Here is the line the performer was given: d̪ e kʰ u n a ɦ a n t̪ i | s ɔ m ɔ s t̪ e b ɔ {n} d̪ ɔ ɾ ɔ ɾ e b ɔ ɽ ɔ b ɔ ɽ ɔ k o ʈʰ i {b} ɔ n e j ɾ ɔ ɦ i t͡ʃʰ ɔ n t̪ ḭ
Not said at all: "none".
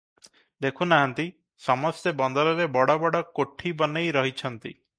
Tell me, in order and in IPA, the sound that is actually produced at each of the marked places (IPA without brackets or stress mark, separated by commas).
n, b